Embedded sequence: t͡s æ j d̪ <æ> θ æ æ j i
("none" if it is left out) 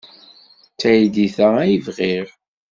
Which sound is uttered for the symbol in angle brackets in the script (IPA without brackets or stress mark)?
i